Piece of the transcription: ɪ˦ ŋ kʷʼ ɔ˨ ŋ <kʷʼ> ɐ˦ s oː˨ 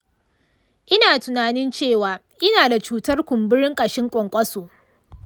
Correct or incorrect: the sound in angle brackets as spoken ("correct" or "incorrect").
correct